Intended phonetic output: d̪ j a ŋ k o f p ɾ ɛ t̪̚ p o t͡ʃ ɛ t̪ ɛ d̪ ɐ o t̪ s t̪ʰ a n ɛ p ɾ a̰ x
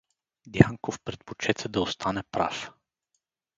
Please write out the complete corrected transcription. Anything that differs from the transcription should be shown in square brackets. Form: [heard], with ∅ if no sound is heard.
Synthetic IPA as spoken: d̪ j a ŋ k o f p ɾ ɛ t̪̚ p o t͡ʃ ɛ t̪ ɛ d̪ ɐ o [∅] s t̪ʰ a n ɛ p ɾ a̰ [f]

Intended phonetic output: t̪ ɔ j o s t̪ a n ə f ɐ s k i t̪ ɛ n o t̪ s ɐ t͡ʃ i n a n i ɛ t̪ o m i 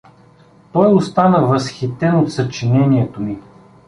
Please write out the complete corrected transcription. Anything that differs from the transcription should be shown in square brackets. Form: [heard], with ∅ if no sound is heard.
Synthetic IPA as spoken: t̪ ɔ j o s t̪ a n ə [v] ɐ s [x] i t̪ ɛ n o t̪ s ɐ t͡ʃ i n [ɛ] n i ɛ t̪ o m i

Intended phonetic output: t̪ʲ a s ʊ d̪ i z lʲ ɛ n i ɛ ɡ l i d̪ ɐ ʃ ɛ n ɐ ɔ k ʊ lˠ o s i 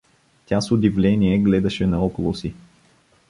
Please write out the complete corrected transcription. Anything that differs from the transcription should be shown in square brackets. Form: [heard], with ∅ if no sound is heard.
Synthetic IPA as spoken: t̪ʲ a s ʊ d̪ i [v] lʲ ɛ n i ɛ ɡ l [ɛ] d̪ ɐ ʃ ɛ n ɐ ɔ k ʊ lˠ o s i

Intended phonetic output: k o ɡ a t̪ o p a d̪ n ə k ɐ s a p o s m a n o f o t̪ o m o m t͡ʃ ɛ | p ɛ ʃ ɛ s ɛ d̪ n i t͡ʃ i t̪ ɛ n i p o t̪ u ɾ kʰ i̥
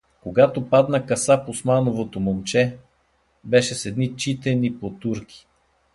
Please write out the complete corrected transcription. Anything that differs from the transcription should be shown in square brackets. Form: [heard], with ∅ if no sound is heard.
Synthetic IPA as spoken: k o ɡ a t̪ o p a d̪ n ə k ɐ s a p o s m a n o [v] o t̪ o m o m t͡ʃ ɛ | [b] ɛ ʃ ɛ s ɛ d̪ n i t͡ʃ i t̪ ɛ n i p o t̪ u ɾ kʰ i̥

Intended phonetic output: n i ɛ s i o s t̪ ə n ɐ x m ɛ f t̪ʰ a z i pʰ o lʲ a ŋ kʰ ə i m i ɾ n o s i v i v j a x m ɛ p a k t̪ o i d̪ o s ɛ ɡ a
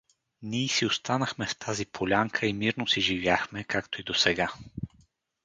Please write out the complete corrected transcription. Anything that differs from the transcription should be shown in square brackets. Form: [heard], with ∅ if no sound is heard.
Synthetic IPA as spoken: n i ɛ s i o s t̪ [a] n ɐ x m ɛ f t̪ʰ a z i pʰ o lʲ a ŋ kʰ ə i m i ɾ n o s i [ʒ] i v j a x m ɛ [k] a k t̪ o i d̪ o s ɛ ɡ a

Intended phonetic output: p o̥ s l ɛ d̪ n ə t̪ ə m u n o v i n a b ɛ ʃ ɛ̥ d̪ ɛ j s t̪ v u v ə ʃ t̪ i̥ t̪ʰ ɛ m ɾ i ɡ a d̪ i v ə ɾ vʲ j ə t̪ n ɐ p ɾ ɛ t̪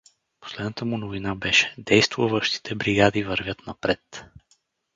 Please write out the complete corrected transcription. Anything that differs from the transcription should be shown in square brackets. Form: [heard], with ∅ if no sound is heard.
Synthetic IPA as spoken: p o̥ s l ɛ d̪ n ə t̪ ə m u n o v i n a b ɛ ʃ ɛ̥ d̪ ɛ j s t̪ v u v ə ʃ t̪ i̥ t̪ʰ ɛ [b] ɾ i ɡ a d̪ i v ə ɾ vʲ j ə t̪ n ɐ p ɾ ɛ t̪

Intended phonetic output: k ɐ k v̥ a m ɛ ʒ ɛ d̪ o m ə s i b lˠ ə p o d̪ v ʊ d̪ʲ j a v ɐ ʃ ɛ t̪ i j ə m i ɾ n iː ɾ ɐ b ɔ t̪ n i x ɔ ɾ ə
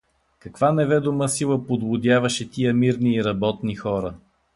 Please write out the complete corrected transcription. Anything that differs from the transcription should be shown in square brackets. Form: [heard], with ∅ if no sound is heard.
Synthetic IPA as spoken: k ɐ k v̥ a [n] ɛ [v] ɛ d̪ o m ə s i [∅] lˠ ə p o d̪ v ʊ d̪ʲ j a v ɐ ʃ ɛ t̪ i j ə m i ɾ n iː ɾ ɐ b ɔ t̪ n i x ɔ ɾ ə

